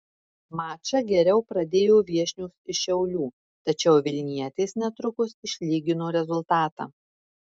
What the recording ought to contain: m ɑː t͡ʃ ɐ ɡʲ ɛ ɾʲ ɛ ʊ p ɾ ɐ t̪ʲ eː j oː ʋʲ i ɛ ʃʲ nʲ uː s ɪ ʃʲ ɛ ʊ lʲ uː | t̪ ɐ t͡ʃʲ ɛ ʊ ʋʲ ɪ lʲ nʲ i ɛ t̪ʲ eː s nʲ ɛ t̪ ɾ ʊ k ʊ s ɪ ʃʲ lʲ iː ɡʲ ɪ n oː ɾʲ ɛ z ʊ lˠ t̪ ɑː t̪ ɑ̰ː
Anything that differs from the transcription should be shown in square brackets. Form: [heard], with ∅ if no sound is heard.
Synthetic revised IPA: m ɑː t͡ʃ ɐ ɡʲ ɛ ɾʲ ɛ ʊ p ɾ ɐ [d̪ʲ] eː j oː ʋʲ i ɛ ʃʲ nʲ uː s ɪ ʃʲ ɛ ʊ lʲ uː | t̪ ɐ t͡ʃʲ ɛ ʊ ʋʲ ɪ lʲ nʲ i ɛ t̪ʲ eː s nʲ ɛ t̪ ɾ ʊ k ʊ s ɪ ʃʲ lʲ iː ɡʲ ɪ n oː ɾʲ ɛ z ʊ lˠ t̪ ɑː t̪ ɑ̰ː

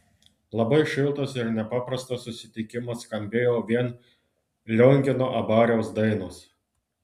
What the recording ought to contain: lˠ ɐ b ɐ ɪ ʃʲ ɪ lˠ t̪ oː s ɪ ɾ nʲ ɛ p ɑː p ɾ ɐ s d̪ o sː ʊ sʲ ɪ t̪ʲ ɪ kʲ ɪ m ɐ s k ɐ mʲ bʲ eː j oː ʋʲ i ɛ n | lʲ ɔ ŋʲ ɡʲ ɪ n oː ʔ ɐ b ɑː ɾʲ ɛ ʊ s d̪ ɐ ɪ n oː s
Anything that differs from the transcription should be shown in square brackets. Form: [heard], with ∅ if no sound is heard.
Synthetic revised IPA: lˠ ɐ b ɐ ɪ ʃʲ ɪ lˠ t̪ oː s ɪ ɾ nʲ ɛ p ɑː p ɾ ɐ s [t̪] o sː ʊ sʲ ɪ t̪ʲ ɪ kʲ ɪ m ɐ s k ɐ mʲ bʲ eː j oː ʋʲ i ɛ n | lʲ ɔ ŋʲ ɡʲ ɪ n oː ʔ ɐ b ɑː ɾʲ ɛ ʊ s d̪ ɐ ɪ n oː s

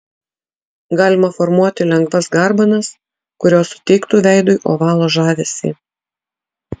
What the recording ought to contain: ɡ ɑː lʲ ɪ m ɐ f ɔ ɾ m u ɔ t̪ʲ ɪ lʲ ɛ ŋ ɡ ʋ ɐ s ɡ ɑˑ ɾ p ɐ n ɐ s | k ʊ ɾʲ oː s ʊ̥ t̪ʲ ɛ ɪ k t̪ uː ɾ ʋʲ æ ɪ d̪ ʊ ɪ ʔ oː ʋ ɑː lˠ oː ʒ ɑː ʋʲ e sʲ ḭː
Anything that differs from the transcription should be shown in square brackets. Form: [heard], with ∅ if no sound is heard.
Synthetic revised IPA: ɡ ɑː lʲ ɪ m ɐ f ɔ ɾ m u ɔ t̪ʲ ɪ lʲ ɛ ŋ ɡ ʋ ɐ s ɡ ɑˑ ɾ [b] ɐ n ɐ s | k ʊ ɾʲ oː s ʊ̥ t̪ʲ ɛ ɪ k t̪ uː [∅] ʋʲ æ ɪ d̪ ʊ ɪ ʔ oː ʋ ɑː lˠ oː ʒ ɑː ʋʲ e sʲ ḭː

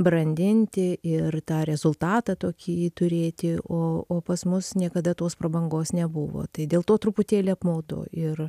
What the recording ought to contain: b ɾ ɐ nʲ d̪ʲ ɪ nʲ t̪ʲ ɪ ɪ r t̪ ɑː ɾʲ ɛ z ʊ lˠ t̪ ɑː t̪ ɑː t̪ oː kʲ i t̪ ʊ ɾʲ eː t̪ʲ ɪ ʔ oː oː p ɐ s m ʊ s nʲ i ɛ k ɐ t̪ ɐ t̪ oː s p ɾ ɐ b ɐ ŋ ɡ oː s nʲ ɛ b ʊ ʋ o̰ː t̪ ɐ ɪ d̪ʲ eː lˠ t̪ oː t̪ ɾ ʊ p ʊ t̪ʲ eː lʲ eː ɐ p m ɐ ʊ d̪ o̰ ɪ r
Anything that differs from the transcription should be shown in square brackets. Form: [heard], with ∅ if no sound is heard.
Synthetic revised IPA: b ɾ ɐ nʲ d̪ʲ ɪ nʲ t̪ʲ ɪ ɪ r t̪ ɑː ɾʲ ɛ z ʊ lˠ t̪ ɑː t̪ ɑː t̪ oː kʲ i t̪ ʊ ɾʲ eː t̪ʲ ɪ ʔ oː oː p ɐ s m ʊ s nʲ i ɛ k ɐ [d̪] ɐ t̪ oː s p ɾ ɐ b ɐ ŋ ɡ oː s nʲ ɛ b ʊ ʋ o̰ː t̪ ɐ ɪ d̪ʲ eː lˠ t̪ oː t̪ ɾ ʊ p ʊ t̪ʲ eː lʲ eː ɐ p m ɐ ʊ d̪ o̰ ɪ r

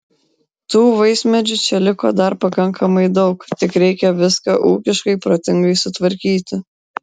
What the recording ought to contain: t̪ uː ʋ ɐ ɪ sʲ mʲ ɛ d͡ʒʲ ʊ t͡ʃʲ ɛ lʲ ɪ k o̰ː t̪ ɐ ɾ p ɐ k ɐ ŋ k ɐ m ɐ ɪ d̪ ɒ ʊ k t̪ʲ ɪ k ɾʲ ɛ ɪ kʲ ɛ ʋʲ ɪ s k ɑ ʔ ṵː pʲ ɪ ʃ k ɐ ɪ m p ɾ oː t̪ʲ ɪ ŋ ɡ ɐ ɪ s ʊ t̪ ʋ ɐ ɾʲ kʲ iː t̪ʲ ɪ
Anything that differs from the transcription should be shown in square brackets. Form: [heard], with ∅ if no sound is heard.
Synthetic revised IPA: t̪ uː ʋ ɐ ɪ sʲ mʲ ɛ d͡ʒʲ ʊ t͡ʃʲ ɛ lʲ ɪ k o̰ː [d̪] ɐ ɾ p ɐ k ɐ ŋ k ɐ m ɐ ɪ d̪ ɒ ʊ k t̪ʲ ɪ k ɾʲ ɛ ɪ kʲ ɛ ʋʲ ɪ s k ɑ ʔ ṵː [kʲ] ɪ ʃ k ɐ ɪ [∅] p ɾ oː t̪ʲ ɪ ŋ ɡ ɐ ɪ s ʊ t̪ ʋ ɐ ɾʲ kʲ iː t̪ʲ ɪ

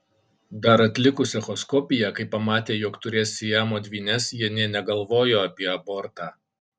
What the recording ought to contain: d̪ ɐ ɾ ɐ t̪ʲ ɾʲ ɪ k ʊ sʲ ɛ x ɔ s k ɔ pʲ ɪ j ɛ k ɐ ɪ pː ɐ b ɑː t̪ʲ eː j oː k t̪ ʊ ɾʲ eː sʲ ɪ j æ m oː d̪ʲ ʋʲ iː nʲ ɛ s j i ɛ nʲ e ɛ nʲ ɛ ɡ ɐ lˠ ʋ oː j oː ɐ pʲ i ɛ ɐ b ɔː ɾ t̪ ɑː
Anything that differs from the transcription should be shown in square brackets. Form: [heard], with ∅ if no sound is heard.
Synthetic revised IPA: d̪ ɐ ɾ ɐ t̪ʲ [lʲ] ɪ k ʊ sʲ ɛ x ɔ s k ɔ pʲ ɪ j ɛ k ɐ ɪ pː ɐ [m] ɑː t̪ʲ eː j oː k t̪ ʊ ɾʲ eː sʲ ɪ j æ m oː d̪ʲ ʋʲ iː nʲ ɛ s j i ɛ nʲ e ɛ nʲ ɛ ɡ ɐ lˠ ʋ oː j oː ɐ pʲ i ɛ ɐ b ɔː ɾ t̪ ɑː

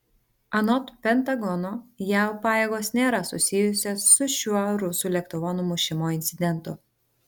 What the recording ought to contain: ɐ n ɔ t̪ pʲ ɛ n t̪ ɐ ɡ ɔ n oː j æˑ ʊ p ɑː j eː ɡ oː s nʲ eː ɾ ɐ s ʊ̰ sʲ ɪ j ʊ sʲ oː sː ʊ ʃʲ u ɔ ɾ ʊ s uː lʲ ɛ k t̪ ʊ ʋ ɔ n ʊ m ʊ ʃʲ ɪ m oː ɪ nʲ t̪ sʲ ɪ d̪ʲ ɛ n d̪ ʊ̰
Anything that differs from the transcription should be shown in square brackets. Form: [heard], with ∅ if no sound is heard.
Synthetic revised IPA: ɐ n ɔ t̪ pʲ ɛ n t̪ ɐ ɡ ɔ n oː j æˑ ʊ p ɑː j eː ɡ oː s nʲ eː ɾ ɐ s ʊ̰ sʲ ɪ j ʊ sʲ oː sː ʊ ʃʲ u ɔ ɾ ʊ s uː lʲ ɛ k t̪ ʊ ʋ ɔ n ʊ m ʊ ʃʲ ɪ m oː ɪ nʲ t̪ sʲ ɪ d̪ʲ ɛ n [t̪] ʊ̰

